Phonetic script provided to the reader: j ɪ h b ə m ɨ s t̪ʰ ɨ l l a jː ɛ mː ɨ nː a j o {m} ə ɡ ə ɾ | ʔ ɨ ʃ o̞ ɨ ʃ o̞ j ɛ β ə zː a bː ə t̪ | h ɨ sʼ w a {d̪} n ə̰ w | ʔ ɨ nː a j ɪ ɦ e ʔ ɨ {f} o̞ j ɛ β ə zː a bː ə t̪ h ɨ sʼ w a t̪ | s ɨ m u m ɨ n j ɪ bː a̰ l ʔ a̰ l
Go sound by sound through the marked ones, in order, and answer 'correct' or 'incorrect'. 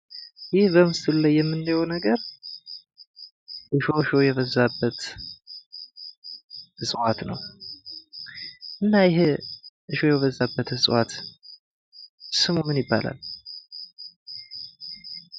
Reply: incorrect: n, incorrect: t̪, incorrect: ʃ

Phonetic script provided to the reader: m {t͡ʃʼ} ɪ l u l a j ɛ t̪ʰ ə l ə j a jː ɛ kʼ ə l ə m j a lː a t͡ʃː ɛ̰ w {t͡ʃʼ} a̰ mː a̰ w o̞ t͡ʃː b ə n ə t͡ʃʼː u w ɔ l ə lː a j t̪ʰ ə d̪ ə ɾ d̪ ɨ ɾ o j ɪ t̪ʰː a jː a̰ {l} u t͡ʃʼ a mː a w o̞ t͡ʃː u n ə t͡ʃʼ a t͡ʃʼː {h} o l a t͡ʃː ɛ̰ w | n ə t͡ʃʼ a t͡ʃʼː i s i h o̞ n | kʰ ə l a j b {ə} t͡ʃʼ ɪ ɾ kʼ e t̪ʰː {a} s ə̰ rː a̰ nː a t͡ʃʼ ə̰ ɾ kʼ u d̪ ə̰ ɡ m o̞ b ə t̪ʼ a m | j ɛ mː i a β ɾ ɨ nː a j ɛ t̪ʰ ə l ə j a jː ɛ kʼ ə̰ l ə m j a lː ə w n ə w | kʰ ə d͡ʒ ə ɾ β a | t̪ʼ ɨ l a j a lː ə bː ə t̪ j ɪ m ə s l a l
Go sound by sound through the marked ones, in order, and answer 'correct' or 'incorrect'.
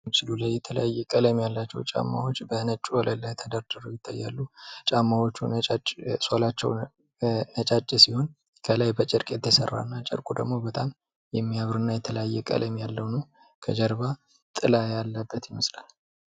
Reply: incorrect: t͡ʃ, correct, incorrect: lː, incorrect: s, correct, incorrect: ə

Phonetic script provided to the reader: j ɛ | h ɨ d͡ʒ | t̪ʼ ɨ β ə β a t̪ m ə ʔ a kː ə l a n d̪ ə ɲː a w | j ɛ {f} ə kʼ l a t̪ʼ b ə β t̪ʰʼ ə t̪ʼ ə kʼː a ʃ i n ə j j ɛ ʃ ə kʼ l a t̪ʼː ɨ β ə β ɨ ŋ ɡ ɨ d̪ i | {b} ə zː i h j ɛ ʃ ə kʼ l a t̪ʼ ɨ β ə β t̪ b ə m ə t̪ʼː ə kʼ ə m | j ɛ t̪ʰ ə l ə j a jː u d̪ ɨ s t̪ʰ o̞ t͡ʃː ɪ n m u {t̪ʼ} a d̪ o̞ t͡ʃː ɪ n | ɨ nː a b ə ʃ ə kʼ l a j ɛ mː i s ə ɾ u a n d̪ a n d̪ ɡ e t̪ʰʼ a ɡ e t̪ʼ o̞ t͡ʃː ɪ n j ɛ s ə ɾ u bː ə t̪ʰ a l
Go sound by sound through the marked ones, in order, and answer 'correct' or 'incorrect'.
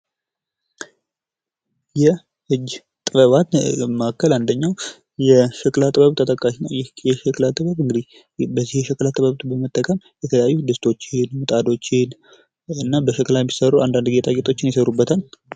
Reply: incorrect: ʃ, correct, correct

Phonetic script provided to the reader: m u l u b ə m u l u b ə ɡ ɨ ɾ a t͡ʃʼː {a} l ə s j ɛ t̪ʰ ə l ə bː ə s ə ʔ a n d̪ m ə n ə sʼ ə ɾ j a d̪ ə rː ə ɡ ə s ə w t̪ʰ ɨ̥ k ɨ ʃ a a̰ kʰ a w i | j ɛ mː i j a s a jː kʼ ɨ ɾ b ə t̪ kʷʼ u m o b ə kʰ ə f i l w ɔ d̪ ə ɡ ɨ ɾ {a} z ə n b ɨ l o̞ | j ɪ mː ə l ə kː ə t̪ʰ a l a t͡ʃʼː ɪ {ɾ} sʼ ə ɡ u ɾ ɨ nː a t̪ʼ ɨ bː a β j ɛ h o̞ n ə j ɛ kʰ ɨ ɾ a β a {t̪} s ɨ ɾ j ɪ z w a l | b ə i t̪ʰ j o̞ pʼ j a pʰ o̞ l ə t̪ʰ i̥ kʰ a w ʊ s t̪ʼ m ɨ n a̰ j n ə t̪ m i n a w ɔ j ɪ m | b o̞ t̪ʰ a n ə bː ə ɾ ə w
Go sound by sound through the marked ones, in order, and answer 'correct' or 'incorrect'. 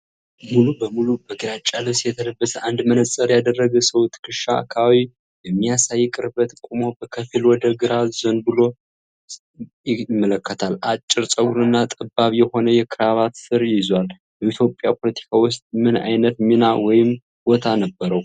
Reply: correct, correct, correct, correct

